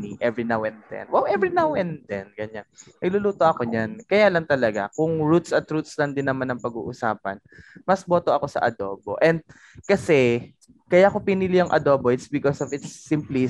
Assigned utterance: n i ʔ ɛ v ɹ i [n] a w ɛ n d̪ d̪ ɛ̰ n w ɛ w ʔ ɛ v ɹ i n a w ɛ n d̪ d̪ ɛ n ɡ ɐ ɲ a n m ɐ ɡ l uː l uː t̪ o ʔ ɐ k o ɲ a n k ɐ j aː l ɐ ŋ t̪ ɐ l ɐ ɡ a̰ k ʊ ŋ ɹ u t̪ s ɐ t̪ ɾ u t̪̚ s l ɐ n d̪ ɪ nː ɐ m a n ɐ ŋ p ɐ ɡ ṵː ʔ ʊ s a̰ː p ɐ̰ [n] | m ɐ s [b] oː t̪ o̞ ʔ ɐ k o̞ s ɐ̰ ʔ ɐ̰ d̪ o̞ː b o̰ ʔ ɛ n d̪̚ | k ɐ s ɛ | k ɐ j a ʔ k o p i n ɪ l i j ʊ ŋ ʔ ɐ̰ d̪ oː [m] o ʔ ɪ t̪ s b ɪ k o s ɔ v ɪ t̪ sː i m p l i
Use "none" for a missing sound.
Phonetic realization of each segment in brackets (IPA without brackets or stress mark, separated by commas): n, n, b, b